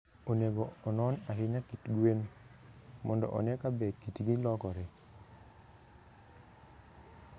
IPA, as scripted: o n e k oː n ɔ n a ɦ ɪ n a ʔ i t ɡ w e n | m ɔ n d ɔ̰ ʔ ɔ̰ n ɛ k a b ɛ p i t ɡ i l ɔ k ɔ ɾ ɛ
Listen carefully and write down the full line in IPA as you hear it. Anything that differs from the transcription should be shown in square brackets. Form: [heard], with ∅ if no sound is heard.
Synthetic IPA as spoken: o n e [ɡ] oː n ɔ n a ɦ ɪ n a [k] i t ɡ w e n | m ɔ n d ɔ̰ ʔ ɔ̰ n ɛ k a b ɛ [k] i t ɡ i l ɔ k ɔ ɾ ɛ